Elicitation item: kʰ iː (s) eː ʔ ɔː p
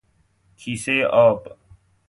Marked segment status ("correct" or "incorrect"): correct